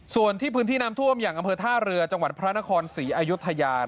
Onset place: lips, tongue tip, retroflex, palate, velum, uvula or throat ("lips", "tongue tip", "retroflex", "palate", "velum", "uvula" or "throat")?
tongue tip